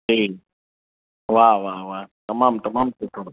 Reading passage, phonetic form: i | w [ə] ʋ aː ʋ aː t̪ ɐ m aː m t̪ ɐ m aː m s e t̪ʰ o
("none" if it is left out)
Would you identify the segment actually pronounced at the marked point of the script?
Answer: a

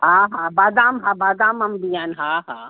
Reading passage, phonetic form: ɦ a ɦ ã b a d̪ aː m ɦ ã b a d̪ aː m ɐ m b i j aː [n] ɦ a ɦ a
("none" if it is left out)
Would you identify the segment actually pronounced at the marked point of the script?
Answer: n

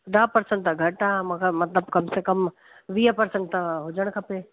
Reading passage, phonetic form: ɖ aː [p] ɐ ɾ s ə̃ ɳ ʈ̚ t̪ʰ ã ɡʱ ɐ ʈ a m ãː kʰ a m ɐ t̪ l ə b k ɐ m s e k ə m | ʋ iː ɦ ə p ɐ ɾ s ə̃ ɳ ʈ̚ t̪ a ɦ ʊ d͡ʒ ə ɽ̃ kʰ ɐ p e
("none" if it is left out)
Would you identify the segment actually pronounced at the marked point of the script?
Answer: p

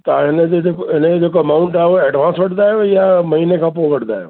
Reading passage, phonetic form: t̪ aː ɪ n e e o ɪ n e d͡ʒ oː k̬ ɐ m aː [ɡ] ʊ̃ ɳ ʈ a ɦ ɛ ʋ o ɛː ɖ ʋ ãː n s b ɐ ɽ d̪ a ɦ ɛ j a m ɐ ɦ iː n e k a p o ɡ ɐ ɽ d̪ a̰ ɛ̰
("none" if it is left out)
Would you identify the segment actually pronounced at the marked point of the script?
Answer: none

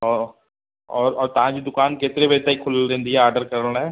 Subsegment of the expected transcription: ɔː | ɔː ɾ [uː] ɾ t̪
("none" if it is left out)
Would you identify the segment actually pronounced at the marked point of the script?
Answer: ɔː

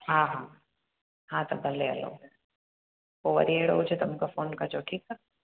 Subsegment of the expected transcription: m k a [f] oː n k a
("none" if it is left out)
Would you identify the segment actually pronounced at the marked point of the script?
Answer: f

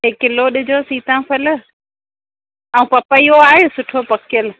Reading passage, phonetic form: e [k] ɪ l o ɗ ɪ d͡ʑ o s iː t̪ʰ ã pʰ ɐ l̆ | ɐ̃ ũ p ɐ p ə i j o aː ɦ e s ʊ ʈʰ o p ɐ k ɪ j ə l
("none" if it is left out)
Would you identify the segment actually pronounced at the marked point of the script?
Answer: k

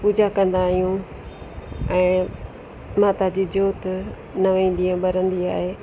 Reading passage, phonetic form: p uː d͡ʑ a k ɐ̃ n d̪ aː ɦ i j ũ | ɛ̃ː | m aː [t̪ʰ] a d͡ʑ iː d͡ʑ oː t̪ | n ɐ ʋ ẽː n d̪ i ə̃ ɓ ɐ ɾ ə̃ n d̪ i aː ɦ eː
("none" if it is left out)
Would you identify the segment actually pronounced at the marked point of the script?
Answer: t̪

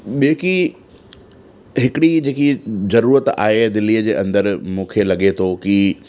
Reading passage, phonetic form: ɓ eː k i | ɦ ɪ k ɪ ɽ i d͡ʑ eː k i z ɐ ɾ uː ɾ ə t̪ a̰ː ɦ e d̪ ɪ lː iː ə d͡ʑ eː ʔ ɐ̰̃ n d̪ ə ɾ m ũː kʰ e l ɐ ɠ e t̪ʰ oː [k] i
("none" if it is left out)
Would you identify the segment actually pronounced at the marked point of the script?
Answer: k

